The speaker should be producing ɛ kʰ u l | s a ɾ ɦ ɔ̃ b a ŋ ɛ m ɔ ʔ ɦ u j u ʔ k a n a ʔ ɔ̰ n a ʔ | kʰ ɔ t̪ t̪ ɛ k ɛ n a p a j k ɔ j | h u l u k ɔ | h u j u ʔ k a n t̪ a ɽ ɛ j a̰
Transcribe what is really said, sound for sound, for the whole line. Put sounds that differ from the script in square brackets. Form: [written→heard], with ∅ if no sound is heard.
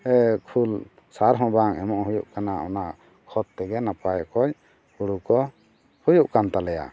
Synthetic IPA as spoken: ɛ kʰ u l | s a ɾ ɦ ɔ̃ b a ŋ ɛ m ɔ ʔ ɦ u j u ʔ k a n a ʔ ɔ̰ n a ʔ | kʰ ɔ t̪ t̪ ɛ [k→ɡ] ɛ n a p a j k ɔ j | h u [l→ɽ] u k ɔ | h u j u ʔ k a n t̪ a [ɽ→l] ɛ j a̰

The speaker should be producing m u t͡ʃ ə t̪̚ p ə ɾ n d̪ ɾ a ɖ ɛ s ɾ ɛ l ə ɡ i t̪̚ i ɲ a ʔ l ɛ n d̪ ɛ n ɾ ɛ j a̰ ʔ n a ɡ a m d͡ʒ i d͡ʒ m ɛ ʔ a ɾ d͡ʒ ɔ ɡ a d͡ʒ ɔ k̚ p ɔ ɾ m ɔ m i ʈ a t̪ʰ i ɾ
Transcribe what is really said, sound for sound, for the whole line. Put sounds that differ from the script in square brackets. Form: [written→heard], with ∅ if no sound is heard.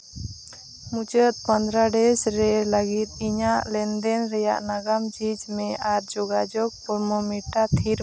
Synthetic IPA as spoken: m u t͡ʃ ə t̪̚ p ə [ɾ→∅] n d̪ ɾ a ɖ ɛ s ɾ ɛ l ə ɡ i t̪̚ i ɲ a ʔ l ɛ n d̪ ɛ n ɾ ɛ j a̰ ʔ n a ɡ a m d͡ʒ i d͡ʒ m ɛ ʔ a ɾ d͡ʒ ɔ ɡ a d͡ʒ ɔ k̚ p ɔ ɾ m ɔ m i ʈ a t̪ʰ i ɾ

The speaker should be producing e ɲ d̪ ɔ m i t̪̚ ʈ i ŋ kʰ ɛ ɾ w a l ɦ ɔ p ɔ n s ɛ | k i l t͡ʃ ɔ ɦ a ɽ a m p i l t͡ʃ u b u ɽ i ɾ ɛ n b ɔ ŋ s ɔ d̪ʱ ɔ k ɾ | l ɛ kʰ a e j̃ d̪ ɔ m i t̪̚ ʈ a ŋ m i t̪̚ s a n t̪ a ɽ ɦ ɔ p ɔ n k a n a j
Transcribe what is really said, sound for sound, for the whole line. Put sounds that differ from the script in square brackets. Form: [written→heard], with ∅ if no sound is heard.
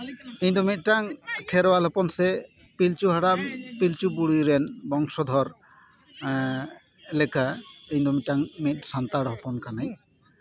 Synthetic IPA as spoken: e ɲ d̪ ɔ m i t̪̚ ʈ [i→a] ŋ kʰ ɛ ɾ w a l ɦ ɔ p ɔ n s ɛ | [k→p] i l t͡ʃ [ɔ→u] ɦ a ɽ a m p i l t͡ʃ u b u ɽ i ɾ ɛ n b ɔ ŋ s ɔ d̪ʱ ɔ [k→∅] ɾ | l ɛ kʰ a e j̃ d̪ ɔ m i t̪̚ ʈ a ŋ m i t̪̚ s a n t̪ a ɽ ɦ ɔ p ɔ n k a n a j

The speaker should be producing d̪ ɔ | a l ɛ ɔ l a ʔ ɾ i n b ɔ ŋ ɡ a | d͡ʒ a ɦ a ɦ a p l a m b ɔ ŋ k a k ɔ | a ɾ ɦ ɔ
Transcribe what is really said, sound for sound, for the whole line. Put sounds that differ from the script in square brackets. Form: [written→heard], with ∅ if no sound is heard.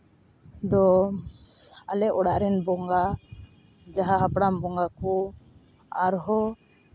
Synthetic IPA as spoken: d̪ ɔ | a l ɛ ɔ [l→ɽ] a ʔ ɾ [i→ɛ] n b ɔ ŋ ɡ a | d͡ʒ a ɦ a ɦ a p [l→ɽ] a m b ɔ ŋ [k→ɡ] a k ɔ | a ɾ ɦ ɔ

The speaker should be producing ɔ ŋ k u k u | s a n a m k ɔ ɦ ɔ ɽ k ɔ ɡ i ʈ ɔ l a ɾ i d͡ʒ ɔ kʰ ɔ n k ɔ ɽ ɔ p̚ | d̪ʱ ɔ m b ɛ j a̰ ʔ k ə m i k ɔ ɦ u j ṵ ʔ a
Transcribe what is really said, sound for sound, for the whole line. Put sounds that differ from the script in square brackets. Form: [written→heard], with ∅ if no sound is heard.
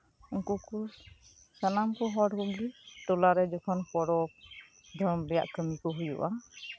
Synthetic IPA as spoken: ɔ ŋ k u k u | s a n a m k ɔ ɦ ɔ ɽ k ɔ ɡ i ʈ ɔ l a ɾ [i→ɛ] d͡ʒ ɔ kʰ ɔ n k ɔ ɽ ɔ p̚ | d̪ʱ ɔ m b ɛ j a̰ ʔ k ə m i k ɔ ɦ u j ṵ ʔ a

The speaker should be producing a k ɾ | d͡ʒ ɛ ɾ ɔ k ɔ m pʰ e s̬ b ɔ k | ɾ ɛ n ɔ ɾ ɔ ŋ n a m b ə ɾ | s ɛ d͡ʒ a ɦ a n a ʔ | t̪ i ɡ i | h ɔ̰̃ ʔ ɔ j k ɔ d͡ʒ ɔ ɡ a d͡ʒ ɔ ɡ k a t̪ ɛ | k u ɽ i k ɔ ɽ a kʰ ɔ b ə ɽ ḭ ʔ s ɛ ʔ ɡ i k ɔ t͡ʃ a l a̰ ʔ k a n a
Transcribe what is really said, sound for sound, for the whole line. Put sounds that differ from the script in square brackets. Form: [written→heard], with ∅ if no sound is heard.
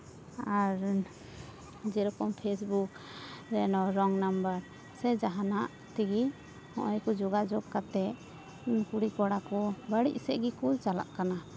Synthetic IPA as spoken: a [k→∅] ɾ | d͡ʒ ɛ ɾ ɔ k ɔ m pʰ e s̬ b [ɔ→u] k | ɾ ɛ n ɔ ɾ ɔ ŋ n a m b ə ɾ | s ɛ d͡ʒ a ɦ a n a ʔ | t̪ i ɡ i | h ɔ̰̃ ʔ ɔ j k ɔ d͡ʒ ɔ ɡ a d͡ʒ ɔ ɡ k a t̪ ɛ | k u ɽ i k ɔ ɽ a [kʰ→k] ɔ b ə ɽ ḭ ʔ s ɛ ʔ ɡ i k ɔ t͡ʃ a l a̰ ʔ k a n a

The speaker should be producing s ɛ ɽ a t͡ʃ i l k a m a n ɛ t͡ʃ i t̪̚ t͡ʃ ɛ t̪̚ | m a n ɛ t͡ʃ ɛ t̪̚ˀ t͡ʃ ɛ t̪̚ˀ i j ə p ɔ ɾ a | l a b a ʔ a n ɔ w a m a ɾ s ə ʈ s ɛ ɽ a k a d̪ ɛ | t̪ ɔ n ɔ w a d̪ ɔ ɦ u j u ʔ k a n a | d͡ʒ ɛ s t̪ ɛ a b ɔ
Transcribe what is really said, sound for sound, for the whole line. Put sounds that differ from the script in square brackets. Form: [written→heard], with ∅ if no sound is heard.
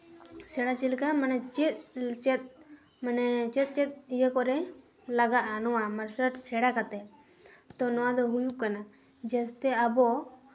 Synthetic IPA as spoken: s ɛ ɽ a t͡ʃ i l k a m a n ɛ t͡ʃ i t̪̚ t͡ʃ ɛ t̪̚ | m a n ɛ t͡ʃ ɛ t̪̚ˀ t͡ʃ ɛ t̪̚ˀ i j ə [p→k] ɔ ɾ [a→ɛ] | l a [b→ɡ] a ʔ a n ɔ w a m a ɾ s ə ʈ s ɛ ɽ a k a [d̪→t̪] ɛ | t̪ ɔ n ɔ w a d̪ ɔ ɦ u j u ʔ k a n a | d͡ʒ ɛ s t̪ ɛ a b ɔ

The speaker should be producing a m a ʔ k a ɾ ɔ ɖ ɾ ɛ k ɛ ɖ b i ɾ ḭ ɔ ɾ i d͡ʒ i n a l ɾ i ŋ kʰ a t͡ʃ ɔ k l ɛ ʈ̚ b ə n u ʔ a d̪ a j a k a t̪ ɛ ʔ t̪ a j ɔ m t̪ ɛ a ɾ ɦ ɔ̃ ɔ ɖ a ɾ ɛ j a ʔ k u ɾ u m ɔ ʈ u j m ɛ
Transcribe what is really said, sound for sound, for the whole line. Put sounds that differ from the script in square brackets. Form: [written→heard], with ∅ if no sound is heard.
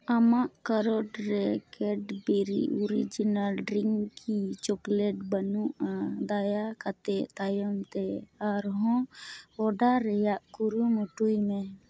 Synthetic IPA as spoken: a m a ʔ k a ɾ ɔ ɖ ɾ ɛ k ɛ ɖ b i ɾ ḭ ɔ ɾ i d͡ʒ i n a l ɾ i ŋ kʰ [a→i] t͡ʃ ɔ k l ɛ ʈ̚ b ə n u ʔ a d̪ a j a k a t̪ ɛ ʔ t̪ a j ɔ m t̪ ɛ a ɾ ɦ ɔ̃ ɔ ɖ a ɾ ɛ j a ʔ k u ɾ u m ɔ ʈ u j m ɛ

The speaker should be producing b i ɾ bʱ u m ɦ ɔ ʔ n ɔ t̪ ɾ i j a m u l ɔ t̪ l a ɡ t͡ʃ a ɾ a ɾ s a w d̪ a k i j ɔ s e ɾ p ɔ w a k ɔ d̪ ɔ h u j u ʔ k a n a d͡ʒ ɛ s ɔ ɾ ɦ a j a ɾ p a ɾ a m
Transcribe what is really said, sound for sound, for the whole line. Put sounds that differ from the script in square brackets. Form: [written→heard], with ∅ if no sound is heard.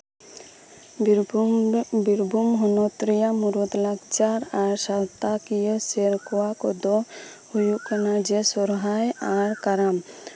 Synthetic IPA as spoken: b i ɾ bʱ u m ɦ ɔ [ʔ→∅] n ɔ t̪ ɾ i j a m u [l→ɾ] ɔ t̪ l a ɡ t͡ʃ a ɾ a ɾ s a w [d̪→t̪] a k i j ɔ s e ɾ [p→k] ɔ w a k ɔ d̪ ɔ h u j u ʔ k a n a d͡ʒ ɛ s ɔ ɾ ɦ a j a ɾ [p→k] a ɾ a m

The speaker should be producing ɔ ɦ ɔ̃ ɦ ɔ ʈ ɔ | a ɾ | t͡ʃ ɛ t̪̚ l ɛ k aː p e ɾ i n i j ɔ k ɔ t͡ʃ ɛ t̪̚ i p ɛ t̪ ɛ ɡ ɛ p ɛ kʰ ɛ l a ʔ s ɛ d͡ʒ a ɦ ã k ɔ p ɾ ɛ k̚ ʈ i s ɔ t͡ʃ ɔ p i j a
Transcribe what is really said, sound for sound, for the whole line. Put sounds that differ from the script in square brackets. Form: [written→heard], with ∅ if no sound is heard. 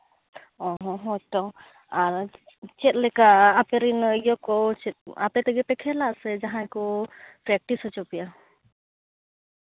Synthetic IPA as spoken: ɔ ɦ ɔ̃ ɦ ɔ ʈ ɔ | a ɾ | t͡ʃ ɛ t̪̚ l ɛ k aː p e ɾ i n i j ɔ k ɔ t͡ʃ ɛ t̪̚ [i→a] p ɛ t̪ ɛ ɡ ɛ p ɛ kʰ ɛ l a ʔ s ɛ d͡ʒ a ɦ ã k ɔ p ɾ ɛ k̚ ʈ i s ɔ t͡ʃ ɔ p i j a

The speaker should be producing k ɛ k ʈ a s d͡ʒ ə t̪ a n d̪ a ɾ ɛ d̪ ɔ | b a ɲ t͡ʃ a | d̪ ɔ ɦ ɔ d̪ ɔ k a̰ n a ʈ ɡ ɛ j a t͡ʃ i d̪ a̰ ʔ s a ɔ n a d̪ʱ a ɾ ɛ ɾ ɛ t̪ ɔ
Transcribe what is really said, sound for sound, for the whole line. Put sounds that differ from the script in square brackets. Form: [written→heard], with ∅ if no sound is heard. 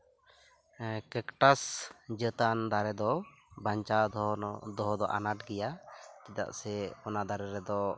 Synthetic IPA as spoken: k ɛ k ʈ a s d͡ʒ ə t̪ a n d̪ a ɾ ɛ d̪ ɔ | b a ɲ t͡ʃ a | d̪ ɔ ɦ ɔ d̪ ɔ [k→ʔ] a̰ n a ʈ ɡ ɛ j a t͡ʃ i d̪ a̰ ʔ s [a→ɛ] ɔ n a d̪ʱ a ɾ ɛ ɾ ɛ [t̪→d̪] ɔ

